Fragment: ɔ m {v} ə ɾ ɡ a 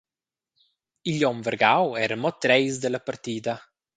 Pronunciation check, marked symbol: correct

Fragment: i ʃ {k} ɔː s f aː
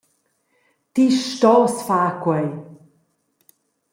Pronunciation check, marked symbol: incorrect: t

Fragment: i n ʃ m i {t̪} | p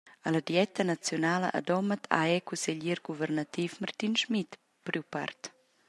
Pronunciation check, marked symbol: correct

